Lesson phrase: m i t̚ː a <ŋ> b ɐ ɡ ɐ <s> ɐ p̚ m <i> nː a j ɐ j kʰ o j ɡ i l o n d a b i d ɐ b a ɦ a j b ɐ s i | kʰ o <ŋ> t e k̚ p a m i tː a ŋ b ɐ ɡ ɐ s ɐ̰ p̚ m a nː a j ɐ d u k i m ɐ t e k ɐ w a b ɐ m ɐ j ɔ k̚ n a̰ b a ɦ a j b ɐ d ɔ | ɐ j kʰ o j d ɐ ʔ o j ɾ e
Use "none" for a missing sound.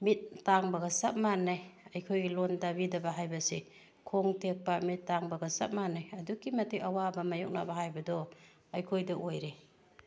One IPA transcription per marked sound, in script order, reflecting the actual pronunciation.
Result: ŋ, s, a, ŋ

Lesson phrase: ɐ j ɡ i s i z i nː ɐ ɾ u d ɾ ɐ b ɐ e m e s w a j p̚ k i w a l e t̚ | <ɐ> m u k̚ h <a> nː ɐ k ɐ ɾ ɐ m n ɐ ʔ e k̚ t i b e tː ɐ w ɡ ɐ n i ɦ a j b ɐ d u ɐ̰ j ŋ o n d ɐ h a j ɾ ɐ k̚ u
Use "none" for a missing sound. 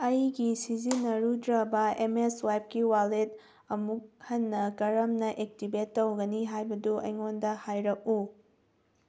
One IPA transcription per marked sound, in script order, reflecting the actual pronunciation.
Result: ɐ, ɐ

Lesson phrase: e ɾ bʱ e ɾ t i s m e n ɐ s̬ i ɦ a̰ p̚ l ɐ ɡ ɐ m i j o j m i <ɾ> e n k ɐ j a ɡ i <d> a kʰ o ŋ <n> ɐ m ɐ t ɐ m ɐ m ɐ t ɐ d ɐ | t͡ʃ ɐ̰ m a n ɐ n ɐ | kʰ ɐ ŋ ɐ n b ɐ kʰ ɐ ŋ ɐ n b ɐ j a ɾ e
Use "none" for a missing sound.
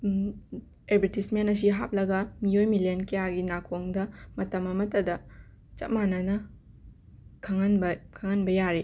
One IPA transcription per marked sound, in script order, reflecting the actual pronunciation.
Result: l, n, d

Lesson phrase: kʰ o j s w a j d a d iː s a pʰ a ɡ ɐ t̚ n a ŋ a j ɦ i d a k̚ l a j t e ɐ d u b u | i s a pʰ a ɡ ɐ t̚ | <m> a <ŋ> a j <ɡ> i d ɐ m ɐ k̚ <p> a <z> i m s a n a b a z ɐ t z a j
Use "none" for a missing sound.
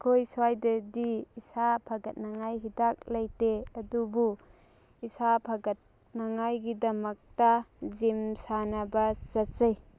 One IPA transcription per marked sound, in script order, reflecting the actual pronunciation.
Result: n, ŋ, ɡ, t, z

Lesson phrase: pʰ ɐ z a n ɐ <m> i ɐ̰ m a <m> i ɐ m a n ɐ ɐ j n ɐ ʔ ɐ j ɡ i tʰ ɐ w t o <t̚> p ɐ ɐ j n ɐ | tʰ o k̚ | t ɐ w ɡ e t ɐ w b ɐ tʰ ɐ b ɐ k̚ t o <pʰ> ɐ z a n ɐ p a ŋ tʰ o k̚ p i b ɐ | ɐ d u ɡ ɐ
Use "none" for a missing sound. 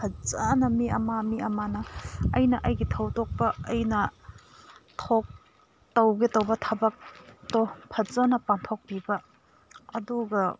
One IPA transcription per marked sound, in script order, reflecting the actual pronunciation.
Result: m, m, k̚, pʰ

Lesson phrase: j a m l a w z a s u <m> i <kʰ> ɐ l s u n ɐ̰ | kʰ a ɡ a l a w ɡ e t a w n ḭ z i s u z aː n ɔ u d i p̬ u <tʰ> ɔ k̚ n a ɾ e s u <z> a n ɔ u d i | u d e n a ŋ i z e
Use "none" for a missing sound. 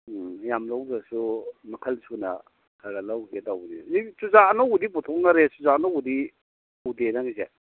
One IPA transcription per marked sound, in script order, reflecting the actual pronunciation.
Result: m, kʰ, tʰ, z

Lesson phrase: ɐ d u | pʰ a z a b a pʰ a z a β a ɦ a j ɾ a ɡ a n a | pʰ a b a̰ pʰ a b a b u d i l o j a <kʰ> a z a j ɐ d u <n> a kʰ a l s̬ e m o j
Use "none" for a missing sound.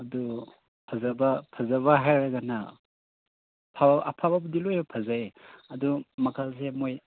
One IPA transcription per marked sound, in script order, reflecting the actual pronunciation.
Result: pʰ, m

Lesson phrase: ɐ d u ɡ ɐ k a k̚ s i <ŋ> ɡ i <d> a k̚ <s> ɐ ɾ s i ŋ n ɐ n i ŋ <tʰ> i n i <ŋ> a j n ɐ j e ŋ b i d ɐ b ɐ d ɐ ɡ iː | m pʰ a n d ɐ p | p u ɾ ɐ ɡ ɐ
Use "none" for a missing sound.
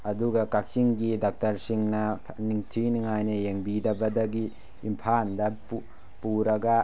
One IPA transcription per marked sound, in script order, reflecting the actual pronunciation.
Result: ŋ, d, t, tʰ, ŋ

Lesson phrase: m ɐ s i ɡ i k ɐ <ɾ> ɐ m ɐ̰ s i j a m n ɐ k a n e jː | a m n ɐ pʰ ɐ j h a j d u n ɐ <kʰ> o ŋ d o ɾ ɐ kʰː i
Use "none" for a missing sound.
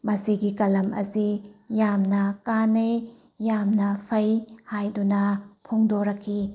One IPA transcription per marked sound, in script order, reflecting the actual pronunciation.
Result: l, pʰ

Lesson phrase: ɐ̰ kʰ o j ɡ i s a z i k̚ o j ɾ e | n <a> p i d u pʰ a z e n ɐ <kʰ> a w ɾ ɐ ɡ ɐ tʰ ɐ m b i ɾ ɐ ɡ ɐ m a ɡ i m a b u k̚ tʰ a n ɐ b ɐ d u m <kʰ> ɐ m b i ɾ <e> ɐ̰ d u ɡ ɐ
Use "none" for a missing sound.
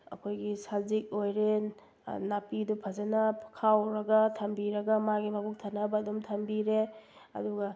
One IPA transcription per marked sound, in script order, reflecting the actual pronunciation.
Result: a, kʰ, tʰ, e

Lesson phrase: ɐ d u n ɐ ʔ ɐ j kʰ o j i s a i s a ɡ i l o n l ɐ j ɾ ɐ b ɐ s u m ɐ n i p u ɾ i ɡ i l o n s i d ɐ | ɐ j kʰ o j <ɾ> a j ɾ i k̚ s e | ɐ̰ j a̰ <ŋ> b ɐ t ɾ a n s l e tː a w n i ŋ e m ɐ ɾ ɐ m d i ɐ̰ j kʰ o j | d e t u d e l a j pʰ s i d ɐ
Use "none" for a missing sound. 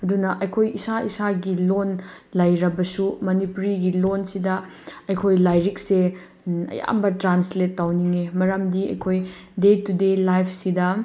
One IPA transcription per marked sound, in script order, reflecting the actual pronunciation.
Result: l, m

